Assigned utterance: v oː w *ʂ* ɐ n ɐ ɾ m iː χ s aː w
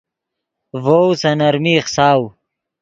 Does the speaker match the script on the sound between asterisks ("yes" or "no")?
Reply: no